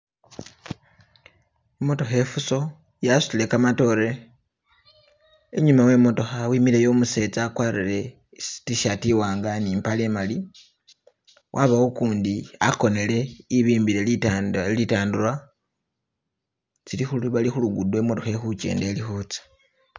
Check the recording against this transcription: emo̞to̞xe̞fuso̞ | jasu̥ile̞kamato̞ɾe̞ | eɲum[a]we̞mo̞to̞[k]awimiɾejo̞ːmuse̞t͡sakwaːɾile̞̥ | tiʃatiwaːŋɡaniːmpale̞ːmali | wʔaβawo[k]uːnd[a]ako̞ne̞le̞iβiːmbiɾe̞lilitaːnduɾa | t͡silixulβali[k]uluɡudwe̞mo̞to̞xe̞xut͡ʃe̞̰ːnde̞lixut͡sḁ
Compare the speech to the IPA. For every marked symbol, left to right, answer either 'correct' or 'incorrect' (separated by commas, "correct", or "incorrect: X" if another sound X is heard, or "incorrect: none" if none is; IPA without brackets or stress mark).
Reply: correct, incorrect: x, correct, incorrect: i, incorrect: x